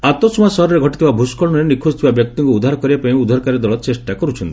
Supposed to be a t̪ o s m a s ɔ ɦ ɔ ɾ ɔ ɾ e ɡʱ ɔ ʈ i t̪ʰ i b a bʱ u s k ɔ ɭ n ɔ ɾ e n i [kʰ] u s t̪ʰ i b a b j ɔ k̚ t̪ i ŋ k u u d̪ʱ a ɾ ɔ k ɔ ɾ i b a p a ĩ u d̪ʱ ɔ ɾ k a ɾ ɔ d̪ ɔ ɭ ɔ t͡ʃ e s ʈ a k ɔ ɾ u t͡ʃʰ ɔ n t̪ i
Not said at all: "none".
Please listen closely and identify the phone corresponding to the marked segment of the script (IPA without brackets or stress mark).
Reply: kʰ